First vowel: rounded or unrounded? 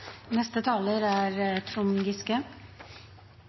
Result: unrounded